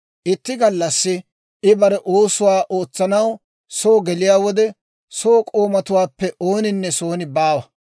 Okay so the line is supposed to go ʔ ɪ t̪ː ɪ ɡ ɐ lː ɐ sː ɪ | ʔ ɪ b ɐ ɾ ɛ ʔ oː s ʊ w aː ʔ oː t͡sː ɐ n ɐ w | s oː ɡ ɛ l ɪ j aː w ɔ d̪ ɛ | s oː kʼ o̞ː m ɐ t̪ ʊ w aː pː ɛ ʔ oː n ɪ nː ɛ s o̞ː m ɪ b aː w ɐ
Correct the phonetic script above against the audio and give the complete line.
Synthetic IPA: ʔ ɪ t̪ː ɪ ɡ ɐ lː ɐ sː ɪ | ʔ ɪ b ɐ ɾ ɛ ʔ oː s ʊ w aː ʔ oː t͡sː ɐ n ɐ w | s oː ɡ ɛ l ɪ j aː w ɔ d̪ ɛ | s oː kʼ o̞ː m ɐ t̪ ʊ w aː pː ɛ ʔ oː n ɪ nː ɛ s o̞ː n ɪ b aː w ɐ